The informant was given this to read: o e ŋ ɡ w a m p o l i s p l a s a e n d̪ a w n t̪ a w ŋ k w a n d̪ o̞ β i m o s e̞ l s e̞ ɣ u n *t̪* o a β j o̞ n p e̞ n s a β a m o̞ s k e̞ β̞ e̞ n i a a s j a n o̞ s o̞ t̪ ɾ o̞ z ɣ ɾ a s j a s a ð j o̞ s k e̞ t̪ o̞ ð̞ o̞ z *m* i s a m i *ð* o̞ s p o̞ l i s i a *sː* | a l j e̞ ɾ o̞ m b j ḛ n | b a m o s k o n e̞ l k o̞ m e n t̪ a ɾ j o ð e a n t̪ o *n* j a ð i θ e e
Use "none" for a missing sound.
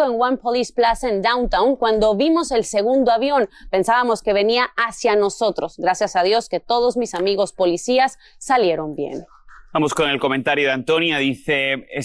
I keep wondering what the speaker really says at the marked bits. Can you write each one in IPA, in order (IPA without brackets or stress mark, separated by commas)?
d̪, m, ɣ, sː, n